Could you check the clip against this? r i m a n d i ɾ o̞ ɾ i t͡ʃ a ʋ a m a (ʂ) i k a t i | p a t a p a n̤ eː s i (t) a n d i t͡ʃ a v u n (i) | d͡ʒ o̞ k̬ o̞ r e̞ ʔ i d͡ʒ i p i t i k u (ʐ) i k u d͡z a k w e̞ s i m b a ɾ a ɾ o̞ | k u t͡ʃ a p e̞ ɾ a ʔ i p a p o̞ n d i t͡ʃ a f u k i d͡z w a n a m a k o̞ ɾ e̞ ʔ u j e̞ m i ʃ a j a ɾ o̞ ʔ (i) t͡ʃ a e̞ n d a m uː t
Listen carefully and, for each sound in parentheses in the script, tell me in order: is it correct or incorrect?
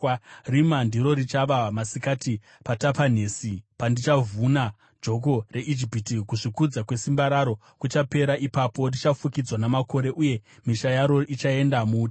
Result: incorrect, incorrect, incorrect, correct, correct

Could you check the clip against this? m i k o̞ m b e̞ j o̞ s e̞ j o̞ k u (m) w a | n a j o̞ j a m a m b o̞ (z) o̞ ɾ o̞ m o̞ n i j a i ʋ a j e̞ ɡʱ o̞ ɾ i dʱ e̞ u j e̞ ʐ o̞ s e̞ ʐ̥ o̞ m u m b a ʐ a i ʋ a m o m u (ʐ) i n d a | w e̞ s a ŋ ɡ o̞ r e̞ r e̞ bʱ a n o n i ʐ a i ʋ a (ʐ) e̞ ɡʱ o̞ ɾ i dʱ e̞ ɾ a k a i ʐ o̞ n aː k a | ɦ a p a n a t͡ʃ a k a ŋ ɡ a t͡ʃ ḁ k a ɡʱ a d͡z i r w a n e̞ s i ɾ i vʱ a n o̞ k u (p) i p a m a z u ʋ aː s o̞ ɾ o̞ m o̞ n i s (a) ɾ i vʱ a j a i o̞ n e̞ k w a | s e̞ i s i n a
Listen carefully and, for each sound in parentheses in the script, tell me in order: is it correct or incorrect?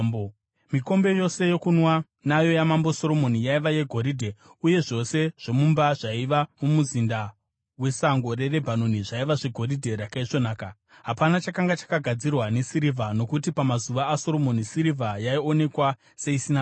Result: incorrect, incorrect, incorrect, correct, incorrect, incorrect

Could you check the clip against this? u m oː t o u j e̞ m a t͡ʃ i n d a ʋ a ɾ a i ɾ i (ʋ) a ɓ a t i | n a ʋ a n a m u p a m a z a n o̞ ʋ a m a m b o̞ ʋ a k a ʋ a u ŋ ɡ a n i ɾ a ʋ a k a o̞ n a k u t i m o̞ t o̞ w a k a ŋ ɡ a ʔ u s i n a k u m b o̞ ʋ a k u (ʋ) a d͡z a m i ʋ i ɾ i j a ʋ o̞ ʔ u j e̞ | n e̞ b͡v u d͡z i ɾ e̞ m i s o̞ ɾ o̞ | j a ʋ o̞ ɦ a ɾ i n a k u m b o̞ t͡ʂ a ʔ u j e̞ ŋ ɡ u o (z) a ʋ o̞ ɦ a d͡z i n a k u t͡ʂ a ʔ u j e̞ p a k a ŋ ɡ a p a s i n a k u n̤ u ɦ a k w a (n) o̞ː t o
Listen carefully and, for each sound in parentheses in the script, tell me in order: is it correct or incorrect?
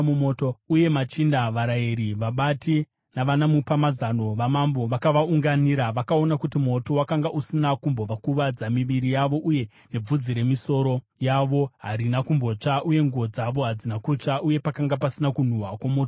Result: correct, correct, incorrect, incorrect

